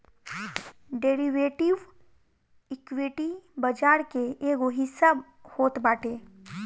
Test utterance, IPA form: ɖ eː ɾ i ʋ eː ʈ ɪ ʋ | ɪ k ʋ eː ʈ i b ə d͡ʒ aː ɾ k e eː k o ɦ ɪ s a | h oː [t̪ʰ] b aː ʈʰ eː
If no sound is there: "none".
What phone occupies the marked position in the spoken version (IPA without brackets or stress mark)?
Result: t̪